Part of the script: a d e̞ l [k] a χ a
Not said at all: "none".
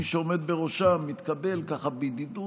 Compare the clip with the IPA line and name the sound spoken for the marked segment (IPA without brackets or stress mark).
k